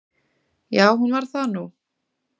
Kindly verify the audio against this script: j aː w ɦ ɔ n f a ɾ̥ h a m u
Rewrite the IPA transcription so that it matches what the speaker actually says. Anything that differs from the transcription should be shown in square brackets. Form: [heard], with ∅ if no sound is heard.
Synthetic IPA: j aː w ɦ [u] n [v] a ɾ̥ [θ] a [n] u